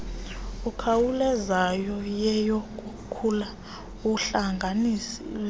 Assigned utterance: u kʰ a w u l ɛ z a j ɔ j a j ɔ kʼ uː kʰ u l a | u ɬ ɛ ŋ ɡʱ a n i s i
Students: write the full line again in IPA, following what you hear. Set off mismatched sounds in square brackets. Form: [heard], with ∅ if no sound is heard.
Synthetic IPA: u kʰ a w u l ɛ z a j ɔ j [ɛ] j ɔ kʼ [u] kʰ u l a | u ɬ [a] ŋ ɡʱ a n i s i

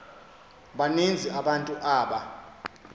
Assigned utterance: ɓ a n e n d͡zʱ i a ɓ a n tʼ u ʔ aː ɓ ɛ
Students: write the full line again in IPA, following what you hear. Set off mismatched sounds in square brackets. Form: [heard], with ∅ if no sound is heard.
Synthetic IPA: ɓ a n e n d͡zʱ i a ɓ a n tʼ u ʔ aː ɓ [a]

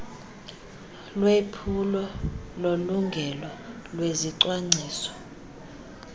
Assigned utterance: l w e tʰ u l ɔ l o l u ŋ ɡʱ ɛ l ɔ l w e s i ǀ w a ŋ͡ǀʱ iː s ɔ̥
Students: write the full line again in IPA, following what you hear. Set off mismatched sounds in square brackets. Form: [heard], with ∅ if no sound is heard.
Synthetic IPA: l w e [pʰ] u l ɔ l o l u ŋ ɡʱ ɛ l ɔ l w e [z] i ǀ w a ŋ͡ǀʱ iː s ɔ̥

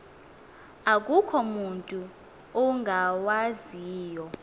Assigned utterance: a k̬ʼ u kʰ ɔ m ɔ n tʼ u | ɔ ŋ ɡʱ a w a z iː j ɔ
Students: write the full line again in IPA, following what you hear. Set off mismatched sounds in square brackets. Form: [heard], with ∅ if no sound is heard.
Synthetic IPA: a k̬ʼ u kʰ ɔ m [u] n tʼ u | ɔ ŋ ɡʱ a w a z iː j ɔ

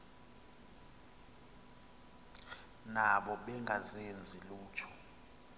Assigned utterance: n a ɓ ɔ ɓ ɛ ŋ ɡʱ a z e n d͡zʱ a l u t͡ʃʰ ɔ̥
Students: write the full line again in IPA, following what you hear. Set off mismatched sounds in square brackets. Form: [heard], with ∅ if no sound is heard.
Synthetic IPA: n a ɓ ɔ ɓ ɛ ŋ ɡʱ a z e n d͡zʱ [i] l [uː] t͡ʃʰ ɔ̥

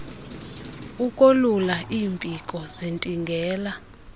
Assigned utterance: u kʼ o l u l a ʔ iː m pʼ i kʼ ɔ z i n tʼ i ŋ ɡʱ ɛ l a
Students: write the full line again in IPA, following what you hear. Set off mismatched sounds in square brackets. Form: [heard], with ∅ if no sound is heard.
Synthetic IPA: u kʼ o l u l a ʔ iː m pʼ i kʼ ɔ z i n tʼ i ŋ ɡʱ [ɛː] l a

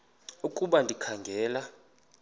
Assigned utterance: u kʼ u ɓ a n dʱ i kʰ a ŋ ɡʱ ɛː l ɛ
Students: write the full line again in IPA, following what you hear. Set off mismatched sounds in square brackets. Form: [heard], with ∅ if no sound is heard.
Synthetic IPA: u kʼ u ɓ a n dʱ i kʰ a ŋ ɡʱ ɛː l [a]

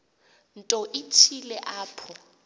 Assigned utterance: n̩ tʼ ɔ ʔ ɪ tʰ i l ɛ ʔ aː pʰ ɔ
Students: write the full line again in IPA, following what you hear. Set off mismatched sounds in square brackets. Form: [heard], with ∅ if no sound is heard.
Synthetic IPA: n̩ tʼ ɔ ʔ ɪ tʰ i l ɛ ʔ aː pʰ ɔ

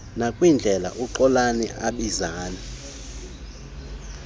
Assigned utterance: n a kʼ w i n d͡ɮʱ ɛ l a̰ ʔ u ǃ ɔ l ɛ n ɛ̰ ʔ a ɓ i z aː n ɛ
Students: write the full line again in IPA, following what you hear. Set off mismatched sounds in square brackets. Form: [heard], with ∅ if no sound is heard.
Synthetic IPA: n a kʼ w i n d͡ɮʱ ɛ l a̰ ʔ u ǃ ɔ l [a] n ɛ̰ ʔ a ɓ i z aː n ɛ

